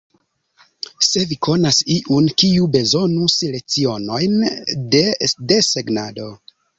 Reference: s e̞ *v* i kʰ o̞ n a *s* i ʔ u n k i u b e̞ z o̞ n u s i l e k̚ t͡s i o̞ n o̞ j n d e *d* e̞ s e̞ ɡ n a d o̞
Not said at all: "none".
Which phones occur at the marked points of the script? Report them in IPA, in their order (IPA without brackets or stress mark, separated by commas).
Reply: v, s, d